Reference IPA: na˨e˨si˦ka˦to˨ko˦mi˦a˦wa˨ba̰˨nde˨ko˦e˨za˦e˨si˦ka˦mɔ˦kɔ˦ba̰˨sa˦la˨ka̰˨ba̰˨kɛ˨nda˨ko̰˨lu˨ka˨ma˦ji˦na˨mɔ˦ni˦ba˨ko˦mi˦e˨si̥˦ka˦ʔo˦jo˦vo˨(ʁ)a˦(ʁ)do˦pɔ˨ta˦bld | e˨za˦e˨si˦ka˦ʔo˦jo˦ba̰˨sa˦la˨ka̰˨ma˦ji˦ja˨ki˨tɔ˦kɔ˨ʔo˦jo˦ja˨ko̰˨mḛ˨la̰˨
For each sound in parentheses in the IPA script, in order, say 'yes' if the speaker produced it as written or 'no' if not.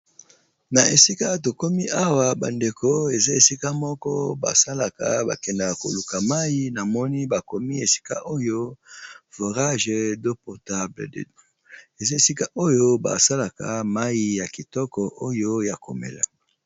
yes, no

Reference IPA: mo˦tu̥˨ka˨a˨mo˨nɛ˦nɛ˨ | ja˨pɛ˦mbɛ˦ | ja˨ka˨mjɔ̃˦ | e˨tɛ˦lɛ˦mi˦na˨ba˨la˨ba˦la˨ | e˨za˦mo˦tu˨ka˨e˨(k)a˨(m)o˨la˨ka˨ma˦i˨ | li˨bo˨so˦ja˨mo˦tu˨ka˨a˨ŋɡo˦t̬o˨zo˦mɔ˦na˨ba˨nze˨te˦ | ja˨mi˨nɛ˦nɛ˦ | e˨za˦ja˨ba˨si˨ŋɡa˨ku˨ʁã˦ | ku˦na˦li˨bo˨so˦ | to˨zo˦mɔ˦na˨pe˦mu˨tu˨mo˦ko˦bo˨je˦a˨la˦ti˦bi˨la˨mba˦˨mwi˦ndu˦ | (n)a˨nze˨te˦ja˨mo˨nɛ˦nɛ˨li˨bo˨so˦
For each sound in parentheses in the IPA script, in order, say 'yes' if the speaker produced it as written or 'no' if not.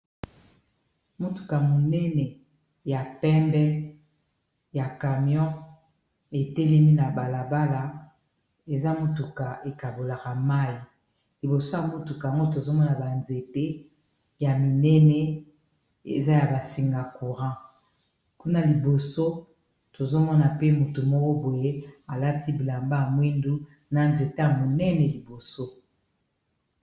yes, no, yes

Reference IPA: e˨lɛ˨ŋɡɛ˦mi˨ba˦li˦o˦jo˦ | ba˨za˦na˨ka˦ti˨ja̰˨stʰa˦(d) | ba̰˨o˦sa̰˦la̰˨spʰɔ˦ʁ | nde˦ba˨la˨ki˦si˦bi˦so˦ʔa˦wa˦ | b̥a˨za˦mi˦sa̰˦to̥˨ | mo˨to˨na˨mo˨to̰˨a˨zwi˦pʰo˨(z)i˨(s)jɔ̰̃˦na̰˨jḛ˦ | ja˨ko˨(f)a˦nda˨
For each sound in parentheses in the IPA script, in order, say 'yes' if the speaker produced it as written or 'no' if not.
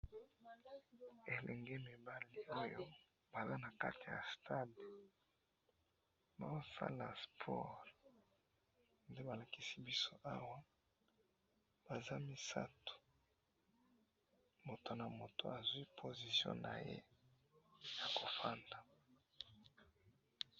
yes, yes, yes, yes

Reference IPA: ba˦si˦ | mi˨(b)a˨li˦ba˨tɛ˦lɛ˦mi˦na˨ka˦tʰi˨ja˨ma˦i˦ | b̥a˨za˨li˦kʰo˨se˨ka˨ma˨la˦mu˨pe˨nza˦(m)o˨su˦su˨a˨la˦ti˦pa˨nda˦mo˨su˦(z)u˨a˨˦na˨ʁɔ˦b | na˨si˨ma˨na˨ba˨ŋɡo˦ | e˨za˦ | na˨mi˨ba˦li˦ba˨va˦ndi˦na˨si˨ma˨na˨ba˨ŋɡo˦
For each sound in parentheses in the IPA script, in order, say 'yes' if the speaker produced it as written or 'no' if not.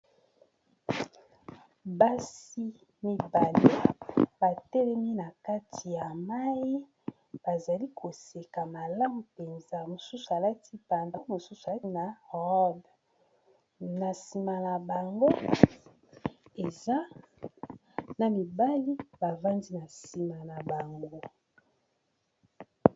yes, yes, no

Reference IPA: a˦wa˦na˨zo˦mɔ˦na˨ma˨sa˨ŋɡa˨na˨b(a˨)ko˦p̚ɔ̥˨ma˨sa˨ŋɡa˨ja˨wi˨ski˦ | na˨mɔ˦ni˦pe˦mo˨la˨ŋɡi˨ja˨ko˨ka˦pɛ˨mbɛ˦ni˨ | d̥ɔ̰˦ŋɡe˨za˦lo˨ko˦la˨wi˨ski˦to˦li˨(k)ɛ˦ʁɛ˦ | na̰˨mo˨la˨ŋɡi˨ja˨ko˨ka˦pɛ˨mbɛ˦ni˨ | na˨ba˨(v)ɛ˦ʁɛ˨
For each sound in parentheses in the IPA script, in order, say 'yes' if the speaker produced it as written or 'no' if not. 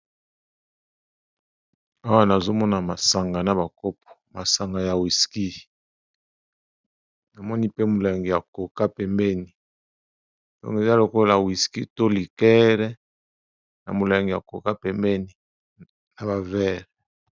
yes, yes, yes

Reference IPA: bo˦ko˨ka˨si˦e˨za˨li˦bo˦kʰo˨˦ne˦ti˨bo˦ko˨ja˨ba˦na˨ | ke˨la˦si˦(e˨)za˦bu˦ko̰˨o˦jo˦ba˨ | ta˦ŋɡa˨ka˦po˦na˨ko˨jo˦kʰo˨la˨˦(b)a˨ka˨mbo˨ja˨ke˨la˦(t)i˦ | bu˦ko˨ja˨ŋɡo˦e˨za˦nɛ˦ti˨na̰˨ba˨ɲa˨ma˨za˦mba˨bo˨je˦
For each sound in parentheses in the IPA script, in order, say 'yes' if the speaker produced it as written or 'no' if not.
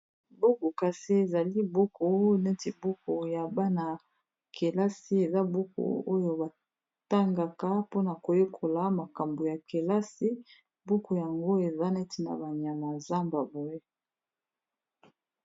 yes, no, no

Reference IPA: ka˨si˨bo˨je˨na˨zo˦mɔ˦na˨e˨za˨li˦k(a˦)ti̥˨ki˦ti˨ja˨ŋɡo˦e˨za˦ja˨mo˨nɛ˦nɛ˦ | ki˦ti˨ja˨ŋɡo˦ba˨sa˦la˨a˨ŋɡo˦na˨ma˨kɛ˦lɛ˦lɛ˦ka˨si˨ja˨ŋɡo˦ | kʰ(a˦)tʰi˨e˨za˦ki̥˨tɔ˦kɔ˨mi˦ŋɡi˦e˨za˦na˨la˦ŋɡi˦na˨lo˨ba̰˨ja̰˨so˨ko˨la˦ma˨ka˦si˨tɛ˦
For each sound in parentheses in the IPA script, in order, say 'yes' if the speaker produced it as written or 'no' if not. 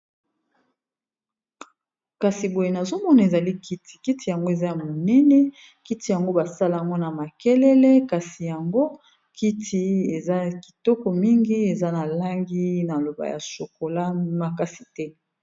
no, no

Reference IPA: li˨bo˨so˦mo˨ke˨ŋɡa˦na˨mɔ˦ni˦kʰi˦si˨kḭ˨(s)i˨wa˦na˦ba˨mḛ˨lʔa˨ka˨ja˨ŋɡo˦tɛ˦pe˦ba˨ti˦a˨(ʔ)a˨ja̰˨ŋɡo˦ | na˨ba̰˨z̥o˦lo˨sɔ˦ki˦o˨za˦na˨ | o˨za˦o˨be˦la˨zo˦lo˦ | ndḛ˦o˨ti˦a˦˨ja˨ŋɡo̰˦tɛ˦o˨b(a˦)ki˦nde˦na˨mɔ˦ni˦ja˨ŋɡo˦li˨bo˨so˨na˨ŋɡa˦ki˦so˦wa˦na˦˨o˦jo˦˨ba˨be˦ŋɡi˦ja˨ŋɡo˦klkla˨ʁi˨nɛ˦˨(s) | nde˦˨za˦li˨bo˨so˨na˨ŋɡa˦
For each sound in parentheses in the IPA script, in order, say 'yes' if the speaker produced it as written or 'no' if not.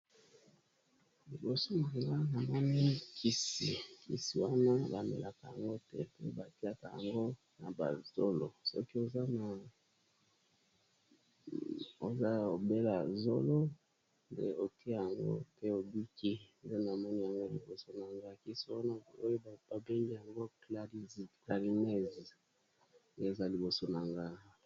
yes, no, no, no

